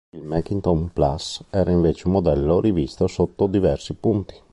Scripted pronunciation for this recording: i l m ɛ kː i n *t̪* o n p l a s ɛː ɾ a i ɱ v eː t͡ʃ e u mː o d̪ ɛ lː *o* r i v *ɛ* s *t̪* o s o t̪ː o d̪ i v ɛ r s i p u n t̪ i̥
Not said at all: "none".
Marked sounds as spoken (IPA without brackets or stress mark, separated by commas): t̪, o, i, t̪